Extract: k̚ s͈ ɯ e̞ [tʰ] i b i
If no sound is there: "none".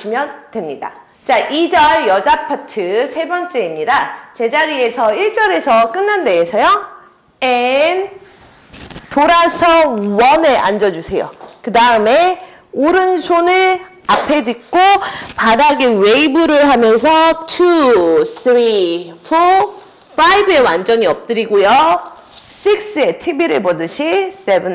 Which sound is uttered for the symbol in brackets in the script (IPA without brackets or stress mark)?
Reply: tʰ